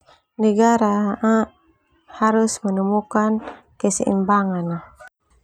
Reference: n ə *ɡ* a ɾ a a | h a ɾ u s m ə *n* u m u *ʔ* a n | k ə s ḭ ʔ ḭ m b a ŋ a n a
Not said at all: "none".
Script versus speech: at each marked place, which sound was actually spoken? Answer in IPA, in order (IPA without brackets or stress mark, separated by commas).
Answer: ɡ, n, k